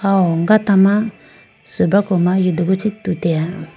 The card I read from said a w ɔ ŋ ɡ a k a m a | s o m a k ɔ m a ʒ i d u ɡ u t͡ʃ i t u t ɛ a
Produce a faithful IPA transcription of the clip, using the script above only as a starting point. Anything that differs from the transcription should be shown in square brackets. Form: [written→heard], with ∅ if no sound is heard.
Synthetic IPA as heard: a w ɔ ŋ ɡ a [k→t] a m a | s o [m→b] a k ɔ m a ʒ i d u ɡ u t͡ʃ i t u t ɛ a